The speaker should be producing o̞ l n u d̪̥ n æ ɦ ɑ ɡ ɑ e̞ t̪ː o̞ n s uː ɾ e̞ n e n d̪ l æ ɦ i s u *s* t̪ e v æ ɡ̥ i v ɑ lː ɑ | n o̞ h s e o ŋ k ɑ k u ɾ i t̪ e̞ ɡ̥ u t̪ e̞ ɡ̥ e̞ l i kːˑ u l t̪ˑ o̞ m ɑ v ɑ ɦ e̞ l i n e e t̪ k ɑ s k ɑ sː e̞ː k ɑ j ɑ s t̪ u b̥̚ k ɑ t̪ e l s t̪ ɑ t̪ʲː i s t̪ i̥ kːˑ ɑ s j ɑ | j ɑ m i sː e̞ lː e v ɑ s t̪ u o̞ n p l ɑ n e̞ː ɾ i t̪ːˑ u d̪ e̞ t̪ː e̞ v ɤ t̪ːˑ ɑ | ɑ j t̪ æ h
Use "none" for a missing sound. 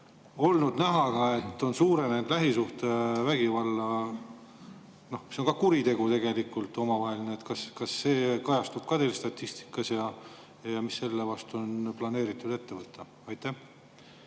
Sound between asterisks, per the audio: h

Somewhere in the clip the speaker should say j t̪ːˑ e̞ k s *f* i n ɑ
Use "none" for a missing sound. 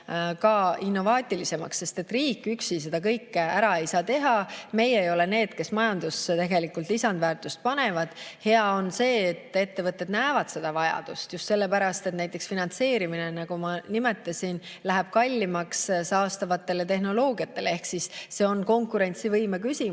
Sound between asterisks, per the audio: f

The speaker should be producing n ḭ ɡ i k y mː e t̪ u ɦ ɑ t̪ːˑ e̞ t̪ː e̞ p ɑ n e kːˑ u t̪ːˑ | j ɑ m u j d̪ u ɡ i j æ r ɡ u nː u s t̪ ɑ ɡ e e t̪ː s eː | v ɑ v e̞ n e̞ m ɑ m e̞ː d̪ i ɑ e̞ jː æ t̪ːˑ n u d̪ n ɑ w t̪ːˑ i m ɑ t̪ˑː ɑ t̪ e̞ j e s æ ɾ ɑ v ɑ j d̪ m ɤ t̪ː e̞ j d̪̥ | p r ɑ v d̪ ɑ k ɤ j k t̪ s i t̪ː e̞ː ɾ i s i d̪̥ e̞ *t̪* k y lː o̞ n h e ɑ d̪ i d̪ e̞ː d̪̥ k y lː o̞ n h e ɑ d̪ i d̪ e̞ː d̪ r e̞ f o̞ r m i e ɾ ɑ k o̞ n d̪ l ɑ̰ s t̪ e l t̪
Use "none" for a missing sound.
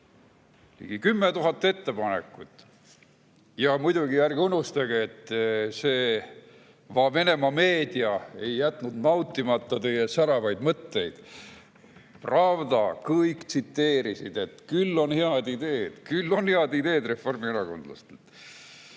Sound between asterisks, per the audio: t̪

